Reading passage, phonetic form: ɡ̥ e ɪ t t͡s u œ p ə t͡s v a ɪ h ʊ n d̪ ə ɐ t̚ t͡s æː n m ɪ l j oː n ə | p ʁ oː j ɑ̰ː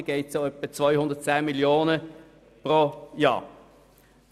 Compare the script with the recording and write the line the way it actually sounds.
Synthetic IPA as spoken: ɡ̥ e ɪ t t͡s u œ p ə t͡s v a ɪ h ʊ n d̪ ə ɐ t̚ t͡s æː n m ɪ l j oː n ə | p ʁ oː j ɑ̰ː

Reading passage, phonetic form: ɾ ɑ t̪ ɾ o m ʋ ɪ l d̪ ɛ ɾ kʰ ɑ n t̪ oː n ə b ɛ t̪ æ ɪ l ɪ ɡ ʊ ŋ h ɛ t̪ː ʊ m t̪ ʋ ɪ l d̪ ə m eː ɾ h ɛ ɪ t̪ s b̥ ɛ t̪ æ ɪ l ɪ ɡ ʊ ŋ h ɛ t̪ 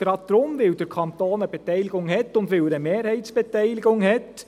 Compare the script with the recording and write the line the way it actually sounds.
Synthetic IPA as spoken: ɾ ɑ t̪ ɾ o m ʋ ɪ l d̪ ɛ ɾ kʰ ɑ n t̪ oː n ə b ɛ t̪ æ ɪ l ɪ ɡ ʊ ŋ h ɛ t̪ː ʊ n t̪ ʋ ɪ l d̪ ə m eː ɾ h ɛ ɪ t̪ s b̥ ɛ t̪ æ ɪ l ɪ ɡ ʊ ŋ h ɛ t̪

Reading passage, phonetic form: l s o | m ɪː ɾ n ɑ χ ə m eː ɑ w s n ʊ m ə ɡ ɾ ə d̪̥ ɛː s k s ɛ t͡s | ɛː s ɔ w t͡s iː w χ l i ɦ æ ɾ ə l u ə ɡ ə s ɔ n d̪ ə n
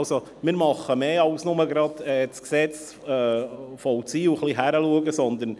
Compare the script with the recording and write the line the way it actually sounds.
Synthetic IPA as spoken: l s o | m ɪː ɾ m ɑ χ ə m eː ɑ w s n ʊ m ə ɡ ɾ ɑ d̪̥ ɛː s k s ɛ t͡s | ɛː f ɔ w t͡s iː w χ l i ɦ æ ɾ ə l u ə ɡ ə s ɔ n d̪ ə n

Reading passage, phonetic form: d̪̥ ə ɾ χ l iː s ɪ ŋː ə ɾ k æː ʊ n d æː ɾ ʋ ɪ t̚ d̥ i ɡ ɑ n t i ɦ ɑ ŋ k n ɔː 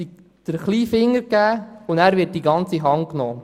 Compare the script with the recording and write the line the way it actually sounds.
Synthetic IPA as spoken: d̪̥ ə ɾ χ l iː f ɪ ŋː ə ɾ k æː ʊ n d æː ɾ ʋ ɪ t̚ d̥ i ɡ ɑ n t͡s i ɦ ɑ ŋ k n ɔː

